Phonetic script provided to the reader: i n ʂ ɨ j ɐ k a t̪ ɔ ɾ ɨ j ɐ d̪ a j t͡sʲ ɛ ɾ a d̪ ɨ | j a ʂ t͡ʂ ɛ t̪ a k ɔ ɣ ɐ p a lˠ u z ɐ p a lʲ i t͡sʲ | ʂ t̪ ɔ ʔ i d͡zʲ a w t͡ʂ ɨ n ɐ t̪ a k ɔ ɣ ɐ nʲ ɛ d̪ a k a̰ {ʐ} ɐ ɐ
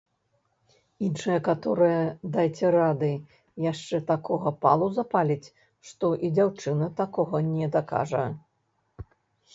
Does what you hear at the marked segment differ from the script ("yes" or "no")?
no